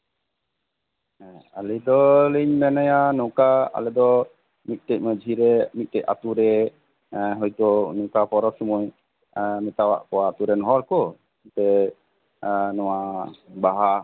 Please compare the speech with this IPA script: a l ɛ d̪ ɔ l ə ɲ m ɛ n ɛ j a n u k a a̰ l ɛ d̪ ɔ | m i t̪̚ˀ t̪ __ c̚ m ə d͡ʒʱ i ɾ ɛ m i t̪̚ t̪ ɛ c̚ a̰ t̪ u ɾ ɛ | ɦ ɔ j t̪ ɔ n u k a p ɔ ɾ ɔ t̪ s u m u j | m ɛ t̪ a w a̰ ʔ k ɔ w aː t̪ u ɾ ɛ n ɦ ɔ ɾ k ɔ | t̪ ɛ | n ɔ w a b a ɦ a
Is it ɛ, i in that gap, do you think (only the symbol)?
ɛ